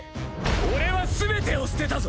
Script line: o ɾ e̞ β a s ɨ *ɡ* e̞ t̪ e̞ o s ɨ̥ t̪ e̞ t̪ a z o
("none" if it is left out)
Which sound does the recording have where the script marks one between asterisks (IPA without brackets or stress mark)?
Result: b